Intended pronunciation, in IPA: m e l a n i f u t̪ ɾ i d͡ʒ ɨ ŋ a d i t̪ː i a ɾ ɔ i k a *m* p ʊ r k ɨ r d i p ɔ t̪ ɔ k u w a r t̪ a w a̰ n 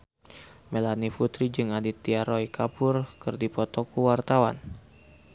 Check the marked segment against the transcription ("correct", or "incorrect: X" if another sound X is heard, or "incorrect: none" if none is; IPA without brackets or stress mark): incorrect: none